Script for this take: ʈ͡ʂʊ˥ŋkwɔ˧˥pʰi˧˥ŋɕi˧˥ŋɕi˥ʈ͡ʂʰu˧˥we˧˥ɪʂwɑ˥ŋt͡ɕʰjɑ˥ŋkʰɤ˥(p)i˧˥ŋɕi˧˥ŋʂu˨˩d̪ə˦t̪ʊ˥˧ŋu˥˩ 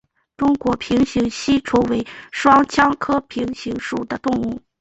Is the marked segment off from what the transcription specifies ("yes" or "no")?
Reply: yes